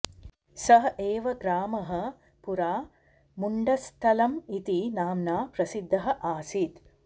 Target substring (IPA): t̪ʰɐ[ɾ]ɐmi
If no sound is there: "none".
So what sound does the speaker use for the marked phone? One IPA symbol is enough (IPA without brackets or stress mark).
l